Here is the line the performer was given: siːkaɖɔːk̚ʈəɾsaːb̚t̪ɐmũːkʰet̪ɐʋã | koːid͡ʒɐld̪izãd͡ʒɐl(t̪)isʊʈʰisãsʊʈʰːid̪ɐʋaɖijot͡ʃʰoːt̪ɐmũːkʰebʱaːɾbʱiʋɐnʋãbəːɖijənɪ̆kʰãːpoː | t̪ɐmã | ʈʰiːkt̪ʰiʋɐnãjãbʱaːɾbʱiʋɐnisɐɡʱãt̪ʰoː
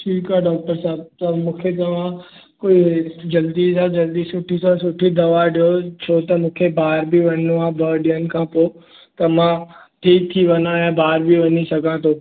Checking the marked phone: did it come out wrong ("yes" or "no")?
yes